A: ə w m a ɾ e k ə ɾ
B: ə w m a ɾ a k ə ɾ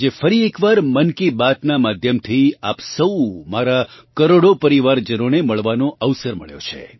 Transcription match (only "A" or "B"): B